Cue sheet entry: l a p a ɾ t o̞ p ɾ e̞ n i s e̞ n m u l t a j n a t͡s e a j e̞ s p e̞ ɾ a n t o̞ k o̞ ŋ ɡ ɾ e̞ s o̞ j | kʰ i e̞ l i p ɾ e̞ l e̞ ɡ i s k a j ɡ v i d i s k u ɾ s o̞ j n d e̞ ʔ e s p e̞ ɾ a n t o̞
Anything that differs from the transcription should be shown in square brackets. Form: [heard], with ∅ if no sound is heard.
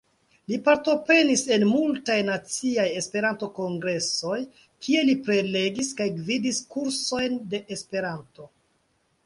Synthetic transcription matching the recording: l [i] p a ɾ t o̞ p ɾ e̞ n i s e̞ n m u l t a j n a t͡s [i] a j e̞ s p e̞ ɾ a n t o̞ k o̞ ŋ ɡ ɾ e̞ s o̞ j | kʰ i e̞ l i p ɾ e̞ l e̞ ɡ i s k a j ɡ v i d i s k u ɾ s o̞ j n d e̞ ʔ e s p e̞ ɾ a n t o̞